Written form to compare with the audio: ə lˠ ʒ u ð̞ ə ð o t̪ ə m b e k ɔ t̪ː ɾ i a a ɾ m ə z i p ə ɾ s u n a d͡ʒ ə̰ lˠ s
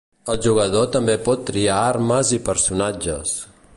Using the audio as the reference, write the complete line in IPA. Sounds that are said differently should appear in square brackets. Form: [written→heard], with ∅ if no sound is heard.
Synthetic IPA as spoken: ə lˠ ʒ u [ð̞→ɣ̞] ə ð o t̪ ə m b e [k→p] ɔ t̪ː ɾ i a a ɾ m ə z i p ə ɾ s u n a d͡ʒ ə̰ [lˠ→∅] s